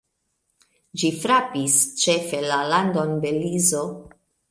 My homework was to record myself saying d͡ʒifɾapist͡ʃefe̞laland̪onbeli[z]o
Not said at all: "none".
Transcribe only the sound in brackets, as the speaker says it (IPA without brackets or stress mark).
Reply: z